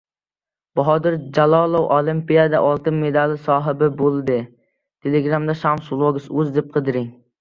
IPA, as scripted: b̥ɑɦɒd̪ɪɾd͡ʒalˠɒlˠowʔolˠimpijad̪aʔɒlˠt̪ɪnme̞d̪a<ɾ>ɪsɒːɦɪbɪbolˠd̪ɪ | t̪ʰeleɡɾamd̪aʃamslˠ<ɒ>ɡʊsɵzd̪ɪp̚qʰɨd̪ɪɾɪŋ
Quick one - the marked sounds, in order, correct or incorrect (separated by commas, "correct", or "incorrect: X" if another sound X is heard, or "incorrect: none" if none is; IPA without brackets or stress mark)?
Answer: incorrect: l, incorrect: o